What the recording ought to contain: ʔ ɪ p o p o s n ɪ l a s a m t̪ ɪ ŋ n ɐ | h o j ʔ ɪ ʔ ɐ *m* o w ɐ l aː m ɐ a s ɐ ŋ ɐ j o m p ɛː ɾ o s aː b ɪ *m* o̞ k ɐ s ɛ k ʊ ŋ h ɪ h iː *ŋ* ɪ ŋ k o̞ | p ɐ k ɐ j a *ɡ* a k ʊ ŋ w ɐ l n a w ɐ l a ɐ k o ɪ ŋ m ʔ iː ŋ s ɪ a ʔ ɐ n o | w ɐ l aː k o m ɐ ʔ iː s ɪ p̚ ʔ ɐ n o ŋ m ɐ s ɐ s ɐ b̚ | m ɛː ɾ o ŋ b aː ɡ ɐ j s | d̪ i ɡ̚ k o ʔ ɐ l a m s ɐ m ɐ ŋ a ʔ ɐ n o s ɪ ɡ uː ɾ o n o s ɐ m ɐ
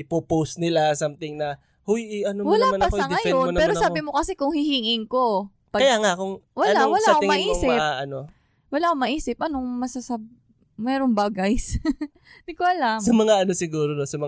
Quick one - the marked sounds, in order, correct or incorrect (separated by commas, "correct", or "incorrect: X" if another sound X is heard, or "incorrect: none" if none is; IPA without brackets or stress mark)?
incorrect: n, correct, correct, incorrect: ŋ